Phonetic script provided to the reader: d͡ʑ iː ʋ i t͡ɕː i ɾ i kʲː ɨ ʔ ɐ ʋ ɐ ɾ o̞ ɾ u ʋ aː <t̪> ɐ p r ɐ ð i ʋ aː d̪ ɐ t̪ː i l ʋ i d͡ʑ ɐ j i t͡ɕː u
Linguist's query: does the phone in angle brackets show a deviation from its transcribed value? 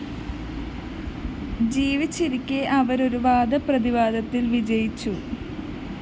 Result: yes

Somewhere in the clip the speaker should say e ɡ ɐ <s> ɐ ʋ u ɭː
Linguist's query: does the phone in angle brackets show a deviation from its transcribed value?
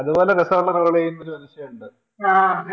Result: no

